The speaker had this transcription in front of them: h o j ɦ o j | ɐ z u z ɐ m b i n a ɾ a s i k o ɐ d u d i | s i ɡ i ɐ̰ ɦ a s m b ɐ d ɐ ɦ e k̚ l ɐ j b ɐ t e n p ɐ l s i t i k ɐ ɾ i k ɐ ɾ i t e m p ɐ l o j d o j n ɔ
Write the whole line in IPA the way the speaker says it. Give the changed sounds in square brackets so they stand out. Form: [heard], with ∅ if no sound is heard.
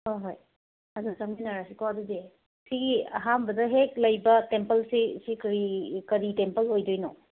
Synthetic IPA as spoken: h o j ɦ o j | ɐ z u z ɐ m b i n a ɾ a s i k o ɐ d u d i | s i ɡ i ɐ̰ ɦ a [∅] m b ɐ d ɐ ɦ e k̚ l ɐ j b ɐ t e [m] p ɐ l s i [s] i k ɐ ɾ i k ɐ ɾ i t e m p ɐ l o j d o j n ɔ